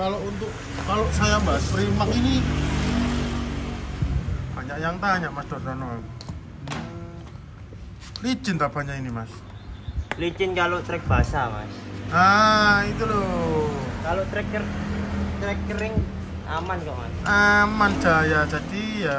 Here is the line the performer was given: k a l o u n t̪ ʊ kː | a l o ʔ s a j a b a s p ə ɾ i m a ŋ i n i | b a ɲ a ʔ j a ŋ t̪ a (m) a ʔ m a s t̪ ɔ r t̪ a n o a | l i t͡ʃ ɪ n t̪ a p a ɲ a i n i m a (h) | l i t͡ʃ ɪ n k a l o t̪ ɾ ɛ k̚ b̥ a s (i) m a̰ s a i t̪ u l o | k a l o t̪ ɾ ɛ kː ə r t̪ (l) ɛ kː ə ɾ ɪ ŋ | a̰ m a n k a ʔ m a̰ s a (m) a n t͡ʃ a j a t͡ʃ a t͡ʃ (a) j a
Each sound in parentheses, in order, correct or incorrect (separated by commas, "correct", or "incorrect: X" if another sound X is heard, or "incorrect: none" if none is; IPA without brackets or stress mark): incorrect: ɲ, incorrect: s, incorrect: a, incorrect: ɾ, correct, incorrect: i